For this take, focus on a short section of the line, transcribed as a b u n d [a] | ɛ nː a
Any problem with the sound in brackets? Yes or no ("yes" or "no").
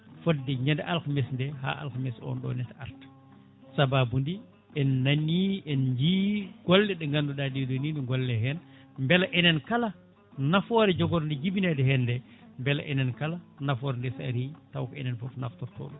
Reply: yes